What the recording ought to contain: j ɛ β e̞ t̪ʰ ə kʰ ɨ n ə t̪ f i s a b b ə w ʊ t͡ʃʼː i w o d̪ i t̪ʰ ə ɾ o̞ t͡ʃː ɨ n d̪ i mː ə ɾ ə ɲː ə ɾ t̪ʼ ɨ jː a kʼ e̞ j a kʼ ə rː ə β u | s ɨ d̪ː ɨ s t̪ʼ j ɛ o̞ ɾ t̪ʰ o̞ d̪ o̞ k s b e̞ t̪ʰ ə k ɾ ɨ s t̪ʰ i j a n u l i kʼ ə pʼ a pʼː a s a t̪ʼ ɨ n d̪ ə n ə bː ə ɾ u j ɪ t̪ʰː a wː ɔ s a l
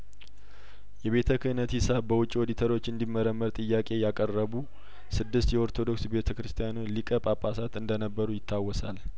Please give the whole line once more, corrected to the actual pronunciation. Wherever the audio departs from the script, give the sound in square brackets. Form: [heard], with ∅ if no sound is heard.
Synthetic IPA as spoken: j ɛ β e̞ t̪ʰ ə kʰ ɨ n ə t̪ [h] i s a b b ə w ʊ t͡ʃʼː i w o d̪ i t̪ʰ ə ɾ o̞ t͡ʃː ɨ n d̪ i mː ə ɾ ə [mː] ə ɾ t̪ʼ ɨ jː a kʼ e̞ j a kʼ ə rː ə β u | s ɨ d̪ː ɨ s [t̪] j ɛ o̞ ɾ t̪ʰ o̞ d̪ o̞ k s b e̞ t̪ʰ ə k ɾ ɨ s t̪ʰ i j a n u l i kʼ ə pʼ a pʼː a s a [t̪] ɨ n d̪ ə n ə bː ə ɾ u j ɪ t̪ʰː a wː ɔ s a l